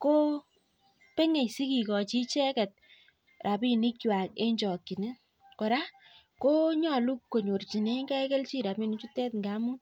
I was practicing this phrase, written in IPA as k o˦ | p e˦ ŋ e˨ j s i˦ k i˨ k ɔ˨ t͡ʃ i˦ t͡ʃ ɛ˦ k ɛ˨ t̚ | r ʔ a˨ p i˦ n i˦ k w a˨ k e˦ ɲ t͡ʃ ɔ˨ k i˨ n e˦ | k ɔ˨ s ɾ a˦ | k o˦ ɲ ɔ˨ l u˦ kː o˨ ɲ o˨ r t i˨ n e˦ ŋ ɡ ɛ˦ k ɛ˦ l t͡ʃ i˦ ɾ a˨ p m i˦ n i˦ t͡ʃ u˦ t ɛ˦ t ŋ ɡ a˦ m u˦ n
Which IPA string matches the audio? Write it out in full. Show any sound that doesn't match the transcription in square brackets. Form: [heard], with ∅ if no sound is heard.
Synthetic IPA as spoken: k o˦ | p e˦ ŋ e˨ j s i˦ k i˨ k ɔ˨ t͡ʃ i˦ t͡ʃ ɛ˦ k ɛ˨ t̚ | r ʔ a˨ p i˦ n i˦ k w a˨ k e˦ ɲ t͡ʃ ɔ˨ k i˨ n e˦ | k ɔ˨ [∅] ɾ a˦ | k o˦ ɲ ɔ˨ l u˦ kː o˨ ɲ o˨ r [t͡ʃ] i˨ n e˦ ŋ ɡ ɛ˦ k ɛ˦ l t͡ʃ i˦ ɾ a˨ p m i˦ n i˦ t͡ʃ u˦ t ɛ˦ t ŋ ɡ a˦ m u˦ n